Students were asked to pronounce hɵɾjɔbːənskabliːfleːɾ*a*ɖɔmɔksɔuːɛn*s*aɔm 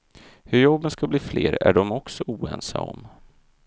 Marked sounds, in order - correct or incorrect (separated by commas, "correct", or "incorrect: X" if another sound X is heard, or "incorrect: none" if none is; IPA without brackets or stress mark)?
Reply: incorrect: æ, correct